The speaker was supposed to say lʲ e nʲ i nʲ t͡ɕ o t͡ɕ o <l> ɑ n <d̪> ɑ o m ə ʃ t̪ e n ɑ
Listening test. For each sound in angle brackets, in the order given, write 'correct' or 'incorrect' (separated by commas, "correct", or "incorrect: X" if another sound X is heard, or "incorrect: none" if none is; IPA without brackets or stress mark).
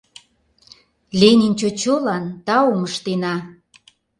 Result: correct, incorrect: t̪